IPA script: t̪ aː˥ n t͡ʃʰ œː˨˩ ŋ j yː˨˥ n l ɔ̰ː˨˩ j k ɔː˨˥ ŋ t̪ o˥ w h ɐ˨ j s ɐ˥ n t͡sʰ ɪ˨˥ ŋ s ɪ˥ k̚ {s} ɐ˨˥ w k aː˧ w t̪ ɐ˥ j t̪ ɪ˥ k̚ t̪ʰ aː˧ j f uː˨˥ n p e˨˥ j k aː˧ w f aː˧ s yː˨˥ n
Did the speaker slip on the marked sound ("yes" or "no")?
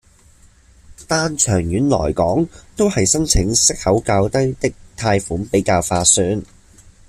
yes